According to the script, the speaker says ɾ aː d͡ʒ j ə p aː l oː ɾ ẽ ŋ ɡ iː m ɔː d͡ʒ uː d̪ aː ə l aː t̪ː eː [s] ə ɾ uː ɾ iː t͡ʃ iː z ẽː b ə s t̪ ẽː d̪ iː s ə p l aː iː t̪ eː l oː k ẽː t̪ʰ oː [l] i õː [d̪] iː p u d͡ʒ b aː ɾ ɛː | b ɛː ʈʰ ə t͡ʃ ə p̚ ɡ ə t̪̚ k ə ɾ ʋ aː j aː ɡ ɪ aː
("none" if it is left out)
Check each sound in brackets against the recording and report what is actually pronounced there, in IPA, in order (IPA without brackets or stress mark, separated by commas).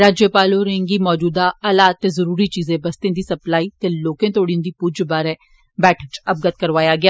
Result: z, ɽ, d̪